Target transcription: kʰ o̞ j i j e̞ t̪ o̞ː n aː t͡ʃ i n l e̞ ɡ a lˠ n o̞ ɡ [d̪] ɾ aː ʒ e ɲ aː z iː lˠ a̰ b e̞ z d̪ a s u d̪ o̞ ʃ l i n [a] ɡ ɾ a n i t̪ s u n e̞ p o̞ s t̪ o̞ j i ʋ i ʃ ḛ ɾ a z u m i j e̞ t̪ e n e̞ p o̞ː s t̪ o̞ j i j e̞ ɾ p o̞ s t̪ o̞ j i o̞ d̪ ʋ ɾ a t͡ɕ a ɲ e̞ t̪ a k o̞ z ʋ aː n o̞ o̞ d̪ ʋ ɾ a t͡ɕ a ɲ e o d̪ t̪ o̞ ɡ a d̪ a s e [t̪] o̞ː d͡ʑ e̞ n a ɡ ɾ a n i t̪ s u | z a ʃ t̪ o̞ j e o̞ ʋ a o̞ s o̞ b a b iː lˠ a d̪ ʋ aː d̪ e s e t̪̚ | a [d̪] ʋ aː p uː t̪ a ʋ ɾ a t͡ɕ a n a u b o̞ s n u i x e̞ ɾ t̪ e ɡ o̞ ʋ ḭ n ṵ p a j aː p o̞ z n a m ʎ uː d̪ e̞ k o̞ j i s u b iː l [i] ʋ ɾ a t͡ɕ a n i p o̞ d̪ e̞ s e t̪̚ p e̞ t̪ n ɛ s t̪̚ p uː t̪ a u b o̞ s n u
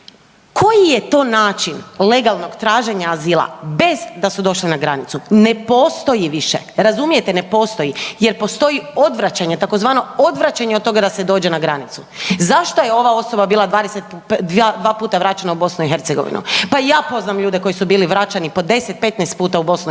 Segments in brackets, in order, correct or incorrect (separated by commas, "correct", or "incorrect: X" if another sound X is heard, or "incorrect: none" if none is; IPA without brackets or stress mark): incorrect: t̪, correct, incorrect: d̪, correct, correct